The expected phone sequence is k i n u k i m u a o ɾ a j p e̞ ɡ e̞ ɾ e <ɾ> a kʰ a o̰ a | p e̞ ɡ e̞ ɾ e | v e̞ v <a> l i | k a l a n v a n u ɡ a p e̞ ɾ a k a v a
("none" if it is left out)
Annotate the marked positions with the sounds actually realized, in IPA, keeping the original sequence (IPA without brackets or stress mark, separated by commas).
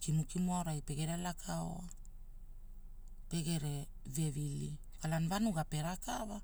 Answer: l, i